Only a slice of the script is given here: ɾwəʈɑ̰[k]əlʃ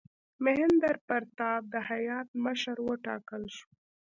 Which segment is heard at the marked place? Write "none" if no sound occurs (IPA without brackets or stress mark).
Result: k